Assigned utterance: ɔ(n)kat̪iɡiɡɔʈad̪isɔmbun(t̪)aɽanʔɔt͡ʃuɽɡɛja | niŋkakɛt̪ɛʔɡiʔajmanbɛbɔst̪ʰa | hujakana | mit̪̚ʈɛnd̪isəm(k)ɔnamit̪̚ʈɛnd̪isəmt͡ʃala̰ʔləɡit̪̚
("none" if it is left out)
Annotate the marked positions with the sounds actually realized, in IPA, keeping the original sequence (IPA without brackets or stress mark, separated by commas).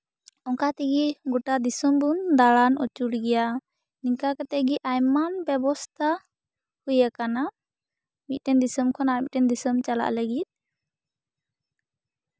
ŋ, d̪, kʰ